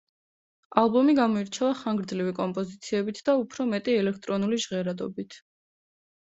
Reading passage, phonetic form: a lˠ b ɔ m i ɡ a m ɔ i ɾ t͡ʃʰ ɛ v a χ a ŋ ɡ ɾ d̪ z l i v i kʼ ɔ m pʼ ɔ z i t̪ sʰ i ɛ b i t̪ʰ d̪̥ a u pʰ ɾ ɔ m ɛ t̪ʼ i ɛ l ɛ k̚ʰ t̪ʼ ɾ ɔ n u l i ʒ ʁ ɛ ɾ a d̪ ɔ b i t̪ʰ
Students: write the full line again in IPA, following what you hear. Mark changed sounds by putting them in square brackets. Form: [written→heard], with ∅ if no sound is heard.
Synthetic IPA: a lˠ b ɔ m i ɡ a m ɔ i ɾ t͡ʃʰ ɛ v a χ a ŋ ɡ ɾ d̪ z l i v i kʼ ɔ m pʼ ɔ z i t̪ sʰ i ɛ b i t̪ʰ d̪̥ a u pʰ ɾ ɔ m ɛ t̪ʼ i ɛ l ɛ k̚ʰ t̪ʼ ɾ ɔ n u l i ʒ ʁ ɛ ɾ a d̪ ɔ b i t̪ʰ

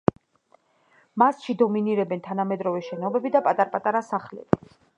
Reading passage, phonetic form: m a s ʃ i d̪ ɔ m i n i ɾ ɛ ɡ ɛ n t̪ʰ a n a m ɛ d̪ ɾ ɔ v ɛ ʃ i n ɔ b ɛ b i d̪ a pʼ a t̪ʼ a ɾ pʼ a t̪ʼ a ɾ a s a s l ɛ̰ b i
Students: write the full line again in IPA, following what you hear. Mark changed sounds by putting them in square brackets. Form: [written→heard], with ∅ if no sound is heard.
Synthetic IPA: m a s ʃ i d̪ ɔ m i n i ɾ ɛ [ɡ→b] ɛ n t̪ʰ a n a m ɛ d̪ ɾ ɔ v ɛ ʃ [i→ɛ] n ɔ b ɛ b i d̪ a pʼ a t̪ʼ a ɾ pʼ a t̪ʼ a ɾ a s a [s→χ] l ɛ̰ b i

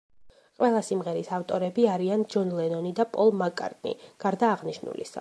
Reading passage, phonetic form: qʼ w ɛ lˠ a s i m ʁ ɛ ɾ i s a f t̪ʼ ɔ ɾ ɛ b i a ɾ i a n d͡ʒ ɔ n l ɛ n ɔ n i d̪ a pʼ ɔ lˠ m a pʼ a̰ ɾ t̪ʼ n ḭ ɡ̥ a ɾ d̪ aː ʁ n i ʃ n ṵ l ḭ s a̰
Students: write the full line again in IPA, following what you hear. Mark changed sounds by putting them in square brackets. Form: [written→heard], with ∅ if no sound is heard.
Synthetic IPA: qʼ w ɛ lˠ a s i m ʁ ɛ ɾ i s a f t̪ʼ ɔ ɾ ɛ b i a ɾ i a n d͡ʒ ɔ n l ɛ n ɔ n i d̪ a pʼ ɔ lˠ m a [pʼ→kʼ] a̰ ɾ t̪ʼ n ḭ ɡ̥ a ɾ d̪ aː ʁ n i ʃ n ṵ l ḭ s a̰

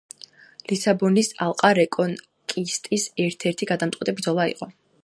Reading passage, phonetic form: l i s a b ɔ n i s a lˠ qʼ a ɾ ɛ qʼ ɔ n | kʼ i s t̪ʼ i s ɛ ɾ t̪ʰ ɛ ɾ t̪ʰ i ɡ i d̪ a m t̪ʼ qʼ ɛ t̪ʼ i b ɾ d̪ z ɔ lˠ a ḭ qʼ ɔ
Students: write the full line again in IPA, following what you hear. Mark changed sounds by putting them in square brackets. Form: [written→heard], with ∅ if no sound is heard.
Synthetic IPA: l i s a b ɔ n i s a lˠ qʼ a ɾ ɛ [qʼ→kʼ] ɔ n | kʼ i s t̪ʼ i s ɛ ɾ t̪ʰ ɛ ɾ t̪ʰ i ɡ [i→a] d̪ a m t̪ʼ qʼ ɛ t̪ʼ i b ɾ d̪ z ɔ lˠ a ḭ qʼ ɔ

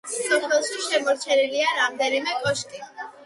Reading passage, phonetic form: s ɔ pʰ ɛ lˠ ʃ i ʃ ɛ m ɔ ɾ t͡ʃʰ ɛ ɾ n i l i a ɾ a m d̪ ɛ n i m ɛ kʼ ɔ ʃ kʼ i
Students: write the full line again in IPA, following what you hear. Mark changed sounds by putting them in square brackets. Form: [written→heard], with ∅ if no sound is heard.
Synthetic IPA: s ɔ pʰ ɛ lˠ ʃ i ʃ ɛ m ɔ ɾ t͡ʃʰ ɛ [ɾ→∅] n i l i a ɾ a m d̪ ɛ n i m ɛ kʼ ɔ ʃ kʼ i

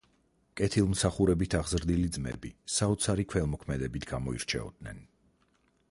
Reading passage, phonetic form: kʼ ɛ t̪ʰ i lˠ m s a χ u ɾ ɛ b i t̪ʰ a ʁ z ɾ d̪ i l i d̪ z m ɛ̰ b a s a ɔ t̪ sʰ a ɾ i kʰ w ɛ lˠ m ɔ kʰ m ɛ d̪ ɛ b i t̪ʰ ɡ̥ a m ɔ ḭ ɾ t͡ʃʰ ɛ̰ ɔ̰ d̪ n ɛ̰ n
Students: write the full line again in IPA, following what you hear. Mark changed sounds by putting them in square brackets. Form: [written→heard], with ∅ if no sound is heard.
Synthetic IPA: kʼ ɛ t̪ʰ i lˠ m s a χ u ɾ ɛ b i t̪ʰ a ʁ z ɾ d̪ i l i d̪ z m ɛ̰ b [a→i] s a ɔ t̪ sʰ a ɾ i kʰ w ɛ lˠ m ɔ kʰ m ɛ d̪ ɛ b i t̪ʰ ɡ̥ a m ɔ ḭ ɾ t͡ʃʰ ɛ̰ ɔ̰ d̪ n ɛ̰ n

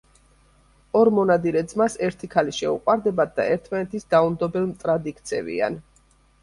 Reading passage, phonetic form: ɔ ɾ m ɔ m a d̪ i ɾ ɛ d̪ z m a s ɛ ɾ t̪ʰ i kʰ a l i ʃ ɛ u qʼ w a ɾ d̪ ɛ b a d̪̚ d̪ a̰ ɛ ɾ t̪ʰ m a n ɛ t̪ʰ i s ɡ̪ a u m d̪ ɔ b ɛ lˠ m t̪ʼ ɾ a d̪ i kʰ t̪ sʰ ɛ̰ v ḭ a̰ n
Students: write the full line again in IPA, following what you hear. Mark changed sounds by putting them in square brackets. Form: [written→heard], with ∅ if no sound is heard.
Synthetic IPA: ɔ ɾ m ɔ [m→n] a d̪ i ɾ ɛ d̪ z m a s ɛ ɾ t̪ʰ i kʰ a l i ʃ ɛ u qʼ w a ɾ d̪ ɛ b a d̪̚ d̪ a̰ ɛ ɾ t̪ʰ m a n ɛ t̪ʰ i s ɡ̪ a u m d̪ ɔ b ɛ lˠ m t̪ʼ ɾ a d̪ i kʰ t̪ sʰ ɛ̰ v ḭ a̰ n

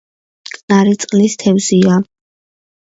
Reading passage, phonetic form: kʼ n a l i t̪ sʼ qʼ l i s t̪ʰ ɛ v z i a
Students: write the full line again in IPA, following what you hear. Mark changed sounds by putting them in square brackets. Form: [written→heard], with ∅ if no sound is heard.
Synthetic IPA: kʼ n a [l→ɾ] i t̪ sʼ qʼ l i s t̪ʰ ɛ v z i a

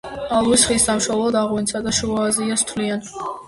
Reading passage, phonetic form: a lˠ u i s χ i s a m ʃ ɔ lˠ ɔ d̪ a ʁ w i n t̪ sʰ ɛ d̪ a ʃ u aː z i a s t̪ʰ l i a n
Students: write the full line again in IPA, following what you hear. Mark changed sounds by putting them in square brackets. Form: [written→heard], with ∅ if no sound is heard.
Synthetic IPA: a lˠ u i s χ i s a m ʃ ɔ lˠ ɔ d̪ a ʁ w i n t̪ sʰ [ɛ→a] d̪ a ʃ u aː z i a s t̪ʰ l i a n

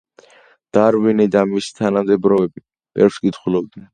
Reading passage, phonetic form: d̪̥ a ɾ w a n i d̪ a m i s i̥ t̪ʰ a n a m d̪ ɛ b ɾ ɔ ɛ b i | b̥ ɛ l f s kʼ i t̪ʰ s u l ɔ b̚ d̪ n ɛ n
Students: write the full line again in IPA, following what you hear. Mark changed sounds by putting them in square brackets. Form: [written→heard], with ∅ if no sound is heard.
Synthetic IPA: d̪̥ a ɾ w [a→i] n i d̪ a m i s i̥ t̪ʰ a n a m d̪ ɛ b ɾ ɔ ɛ b i | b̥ ɛ [l→ɾ] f s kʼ i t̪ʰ [s→χ] u l ɔ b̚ d̪ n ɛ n

